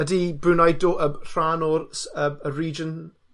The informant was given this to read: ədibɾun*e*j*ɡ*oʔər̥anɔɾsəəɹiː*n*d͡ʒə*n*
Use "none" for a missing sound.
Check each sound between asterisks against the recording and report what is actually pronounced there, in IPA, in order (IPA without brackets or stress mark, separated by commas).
a, d, none, n